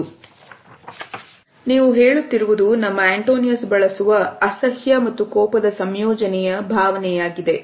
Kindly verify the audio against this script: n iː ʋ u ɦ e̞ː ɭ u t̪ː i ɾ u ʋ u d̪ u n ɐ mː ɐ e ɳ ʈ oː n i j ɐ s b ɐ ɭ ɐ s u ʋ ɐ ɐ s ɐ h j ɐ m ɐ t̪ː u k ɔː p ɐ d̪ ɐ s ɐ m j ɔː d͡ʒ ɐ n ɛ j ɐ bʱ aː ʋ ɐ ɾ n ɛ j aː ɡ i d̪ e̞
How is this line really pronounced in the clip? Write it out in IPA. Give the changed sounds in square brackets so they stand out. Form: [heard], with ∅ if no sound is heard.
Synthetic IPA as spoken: n iː ʋ u ɦ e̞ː ɭ u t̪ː i ɾ u ʋ u d̪ u n ɐ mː ɐ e ɳ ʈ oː n i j ɐ s b ɐ ɭ ɐ s u ʋ ɐ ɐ s ɐ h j ɐ m ɐ t̪ː u k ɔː p ɐ d̪ ɐ s ɐ m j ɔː d͡ʒ ɐ n ɛ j ɐ bʱ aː ʋ ɐ [∅] n ɛ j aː ɡ i d̪ e̞